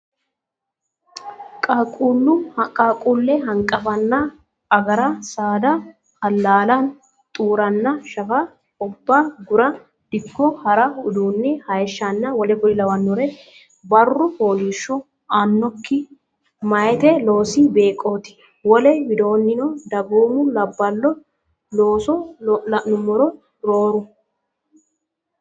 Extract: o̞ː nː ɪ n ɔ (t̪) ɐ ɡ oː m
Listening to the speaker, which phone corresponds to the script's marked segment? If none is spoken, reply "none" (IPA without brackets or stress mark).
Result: d̪